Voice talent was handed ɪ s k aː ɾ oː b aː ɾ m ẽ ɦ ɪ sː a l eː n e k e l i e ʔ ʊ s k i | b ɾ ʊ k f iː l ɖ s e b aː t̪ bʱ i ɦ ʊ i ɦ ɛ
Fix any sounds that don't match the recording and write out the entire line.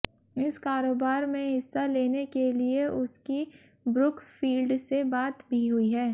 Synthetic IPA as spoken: ɪ s k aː ɾ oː b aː ɾ m ẽ ɦ ɪ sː a l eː n e k e l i e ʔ ʊ s k i | b ɾ ʊ k f iː l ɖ s e b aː t̪ bʱ i ɦ ʊ i ɦ ɛː

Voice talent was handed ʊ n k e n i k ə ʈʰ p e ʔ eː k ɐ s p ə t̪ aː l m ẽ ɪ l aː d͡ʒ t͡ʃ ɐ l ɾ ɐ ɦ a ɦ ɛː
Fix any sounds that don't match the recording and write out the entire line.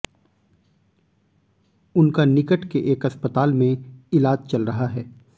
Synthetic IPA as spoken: ʊ n k a n ɪ k ə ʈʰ k e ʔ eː k ɐ s p ə t̪ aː l m ẽ ɪ l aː d͡ʒ t͡ʃ ɐ l ɾ ɐ ɦ a ɦ ɛː

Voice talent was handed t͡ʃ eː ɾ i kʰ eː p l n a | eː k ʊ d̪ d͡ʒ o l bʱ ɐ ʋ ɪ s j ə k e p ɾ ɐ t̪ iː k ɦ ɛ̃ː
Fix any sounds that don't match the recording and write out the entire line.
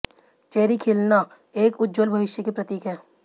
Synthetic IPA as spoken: t͡ʃ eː ɾ i kʰ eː l n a | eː k ʊ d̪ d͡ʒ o l bʱ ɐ ʋ ɪ ʃ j ə k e p ɾ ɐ t̪ iː k ɦ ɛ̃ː

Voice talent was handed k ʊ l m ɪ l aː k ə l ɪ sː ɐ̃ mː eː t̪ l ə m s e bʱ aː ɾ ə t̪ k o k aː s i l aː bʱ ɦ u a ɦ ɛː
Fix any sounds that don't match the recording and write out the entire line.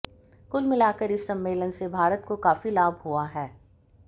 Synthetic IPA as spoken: k ʊ l m ɪ l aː k ə ɾ ɪ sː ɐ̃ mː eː l ə n s e bʱ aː ɾ ə t̪ k o k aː f i l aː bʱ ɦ u a ɦ ɛː

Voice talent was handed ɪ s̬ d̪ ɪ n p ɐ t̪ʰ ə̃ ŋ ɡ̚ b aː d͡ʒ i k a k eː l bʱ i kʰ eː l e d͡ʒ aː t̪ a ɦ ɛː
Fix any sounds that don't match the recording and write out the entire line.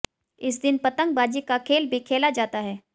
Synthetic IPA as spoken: ɪ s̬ d̪ ɪ n p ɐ t̪ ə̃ ŋ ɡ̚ b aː d͡ʒ i k a kʰ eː l bʱ i kʰ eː l a d͡ʒ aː t̪ a ɦ ɛː

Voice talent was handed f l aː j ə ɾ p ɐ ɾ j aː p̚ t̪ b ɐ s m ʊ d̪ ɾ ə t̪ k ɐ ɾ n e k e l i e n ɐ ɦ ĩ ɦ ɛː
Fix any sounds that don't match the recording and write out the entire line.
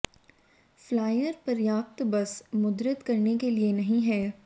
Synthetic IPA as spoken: f l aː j ə ɾ p ɐ ɾ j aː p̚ t̪ b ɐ s m ʊ d̪ ɾ ə t̪ k ɐ ɾ n e k e l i e n ɐ ɦ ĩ ɦ ɛː

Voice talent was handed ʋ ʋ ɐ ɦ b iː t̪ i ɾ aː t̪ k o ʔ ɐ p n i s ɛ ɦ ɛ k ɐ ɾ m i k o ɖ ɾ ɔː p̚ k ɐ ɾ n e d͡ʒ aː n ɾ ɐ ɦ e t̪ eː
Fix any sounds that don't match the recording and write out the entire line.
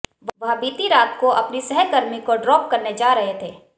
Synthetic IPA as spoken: ʋ ʋ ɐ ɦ b iː t̪ i ɾ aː t̪ k o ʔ ɐ p n i s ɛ ɦ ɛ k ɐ ɾ m i k o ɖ ɾ ɔː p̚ k ɐ ɾ n e d͡ʒ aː ɾ ɐ ɦ e t̪ʰ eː

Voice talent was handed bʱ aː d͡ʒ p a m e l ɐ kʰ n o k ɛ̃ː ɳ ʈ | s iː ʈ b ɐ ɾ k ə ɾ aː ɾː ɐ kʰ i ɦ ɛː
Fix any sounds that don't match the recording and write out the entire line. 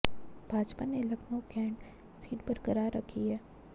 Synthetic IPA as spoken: bʱ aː d͡ʒ p a n e l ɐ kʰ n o k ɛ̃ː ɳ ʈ | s iː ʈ b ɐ ɾ k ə ɾ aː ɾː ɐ kʰ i ɦ ɛː

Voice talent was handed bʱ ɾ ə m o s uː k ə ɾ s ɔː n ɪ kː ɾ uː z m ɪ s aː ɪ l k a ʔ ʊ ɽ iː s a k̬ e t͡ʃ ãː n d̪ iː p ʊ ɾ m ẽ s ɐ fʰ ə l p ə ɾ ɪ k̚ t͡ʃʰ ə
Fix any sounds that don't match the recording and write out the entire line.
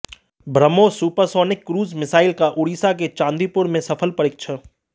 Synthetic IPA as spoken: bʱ ɾ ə m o s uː p ə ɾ s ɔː n ɪ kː ɾ uː z m ɪ s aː ɪ l k a ʔ ʊ ɽ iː s a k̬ e t͡ʃ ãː n d̪ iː p ʊ ɾ m ẽ s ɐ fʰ ə l p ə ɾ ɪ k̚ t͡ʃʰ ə

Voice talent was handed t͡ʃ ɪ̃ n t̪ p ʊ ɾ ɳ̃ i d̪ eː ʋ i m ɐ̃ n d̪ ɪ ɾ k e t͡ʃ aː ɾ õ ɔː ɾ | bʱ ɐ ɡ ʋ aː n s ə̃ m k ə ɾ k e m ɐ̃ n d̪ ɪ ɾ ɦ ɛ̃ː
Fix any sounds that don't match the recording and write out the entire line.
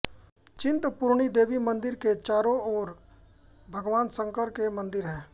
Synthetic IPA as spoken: t͡ʃ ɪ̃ n t̪ p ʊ ɾ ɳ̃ i d̪ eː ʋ i m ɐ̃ n d̪ ɪ ɾ k e t͡ʃ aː ɾ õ ɔː ɾ | bʱ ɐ ɡ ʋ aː n s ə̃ ŋ k ə ɾ k e m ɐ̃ n d̪ ɪ ɾ ɦ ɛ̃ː

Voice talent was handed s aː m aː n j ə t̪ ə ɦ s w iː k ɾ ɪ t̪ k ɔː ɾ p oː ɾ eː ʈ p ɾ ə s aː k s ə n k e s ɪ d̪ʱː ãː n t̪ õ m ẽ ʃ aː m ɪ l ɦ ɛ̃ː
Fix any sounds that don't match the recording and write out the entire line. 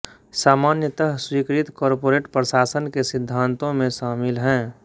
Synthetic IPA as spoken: s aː m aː n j ə t̪ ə ɦ s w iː k ɾ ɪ t̪ k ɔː ɾ p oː ɾ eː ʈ p ɾ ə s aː s ə n k e s ɪ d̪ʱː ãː n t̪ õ m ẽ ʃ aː m ɪ l ɦ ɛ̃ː

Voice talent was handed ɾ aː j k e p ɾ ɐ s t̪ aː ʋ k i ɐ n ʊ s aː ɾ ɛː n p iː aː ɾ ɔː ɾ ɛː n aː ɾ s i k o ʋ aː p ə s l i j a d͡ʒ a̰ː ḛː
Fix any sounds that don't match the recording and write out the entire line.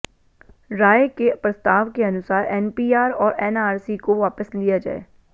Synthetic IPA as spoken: ɾ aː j k e p ɾ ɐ s t̪ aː ʋ k e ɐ n ʊ s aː ɾ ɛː n p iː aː ɾ ɔː ɾ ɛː n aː ɾ s i k o ʋ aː p ə s l i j a d͡ʒ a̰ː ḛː

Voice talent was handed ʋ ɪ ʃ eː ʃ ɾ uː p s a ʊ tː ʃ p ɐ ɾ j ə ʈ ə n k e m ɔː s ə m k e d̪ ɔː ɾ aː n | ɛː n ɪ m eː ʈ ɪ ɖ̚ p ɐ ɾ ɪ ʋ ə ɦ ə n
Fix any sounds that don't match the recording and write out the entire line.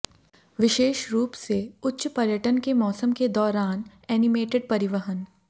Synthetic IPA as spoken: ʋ ɪ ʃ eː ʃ ɾ uː p s e ʊ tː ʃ p ɐ ɾ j ə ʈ ə n k e m ɔː s ə m k e d̪ ɔː ɾ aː n | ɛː n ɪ m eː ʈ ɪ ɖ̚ p ɐ ɾ ɪ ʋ ə ɦ ə n

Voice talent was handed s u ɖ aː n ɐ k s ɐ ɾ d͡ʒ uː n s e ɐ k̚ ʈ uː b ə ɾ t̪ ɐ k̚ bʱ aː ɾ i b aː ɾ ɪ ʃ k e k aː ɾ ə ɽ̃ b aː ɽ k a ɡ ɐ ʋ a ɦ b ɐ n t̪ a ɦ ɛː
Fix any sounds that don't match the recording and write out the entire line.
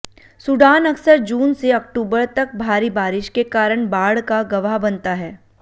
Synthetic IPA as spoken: s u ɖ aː n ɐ k s ə ɾ d͡ʒ uː n s e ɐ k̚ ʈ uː b ə ɾ t̪ ɐ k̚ bʱ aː ɾ i b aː ɾ ɪ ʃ k e k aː ɾ ə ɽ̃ b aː ɽ k a ɡ ɐ ʋ a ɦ b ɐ n t̪ a ɦ ɛː

